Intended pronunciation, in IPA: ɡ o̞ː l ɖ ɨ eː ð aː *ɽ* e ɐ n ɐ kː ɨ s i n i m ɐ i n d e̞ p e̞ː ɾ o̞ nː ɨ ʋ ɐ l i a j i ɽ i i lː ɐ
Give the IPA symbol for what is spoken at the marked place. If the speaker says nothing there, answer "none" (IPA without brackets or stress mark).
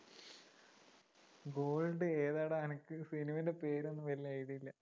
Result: ɽ